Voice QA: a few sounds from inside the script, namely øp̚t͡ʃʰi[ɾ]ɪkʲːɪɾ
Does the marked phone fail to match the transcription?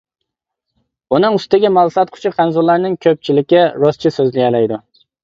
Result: yes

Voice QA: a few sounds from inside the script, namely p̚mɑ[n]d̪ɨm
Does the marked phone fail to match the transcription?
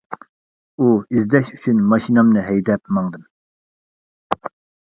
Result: yes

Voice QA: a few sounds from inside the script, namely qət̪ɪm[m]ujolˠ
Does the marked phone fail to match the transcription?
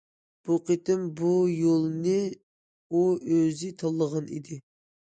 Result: yes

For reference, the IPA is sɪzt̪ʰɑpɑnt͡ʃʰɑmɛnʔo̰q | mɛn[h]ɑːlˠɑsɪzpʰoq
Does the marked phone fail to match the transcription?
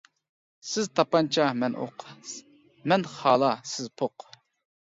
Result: yes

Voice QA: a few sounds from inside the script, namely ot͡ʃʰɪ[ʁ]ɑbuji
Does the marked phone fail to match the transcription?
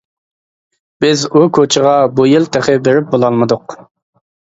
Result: no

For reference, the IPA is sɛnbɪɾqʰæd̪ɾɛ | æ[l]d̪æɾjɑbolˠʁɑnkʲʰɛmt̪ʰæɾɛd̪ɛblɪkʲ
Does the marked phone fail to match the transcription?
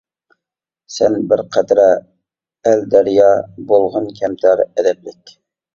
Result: no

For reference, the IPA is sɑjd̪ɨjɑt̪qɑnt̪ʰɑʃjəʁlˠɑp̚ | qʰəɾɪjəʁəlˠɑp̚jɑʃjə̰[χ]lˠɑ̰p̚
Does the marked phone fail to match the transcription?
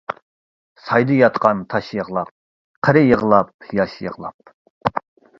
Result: yes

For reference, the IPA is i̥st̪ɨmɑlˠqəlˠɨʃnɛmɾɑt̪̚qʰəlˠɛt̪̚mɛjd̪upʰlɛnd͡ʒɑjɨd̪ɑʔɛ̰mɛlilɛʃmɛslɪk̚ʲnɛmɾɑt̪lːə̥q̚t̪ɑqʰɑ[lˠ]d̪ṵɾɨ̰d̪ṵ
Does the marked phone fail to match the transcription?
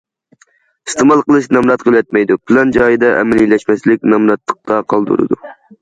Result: no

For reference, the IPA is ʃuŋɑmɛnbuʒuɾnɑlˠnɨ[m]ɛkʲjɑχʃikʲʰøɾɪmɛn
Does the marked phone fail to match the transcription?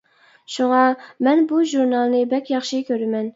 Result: yes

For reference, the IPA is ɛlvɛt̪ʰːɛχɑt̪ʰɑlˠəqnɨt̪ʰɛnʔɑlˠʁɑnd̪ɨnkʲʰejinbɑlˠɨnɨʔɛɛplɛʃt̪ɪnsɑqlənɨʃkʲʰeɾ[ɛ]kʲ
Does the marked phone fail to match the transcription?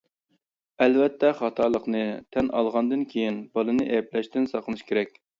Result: no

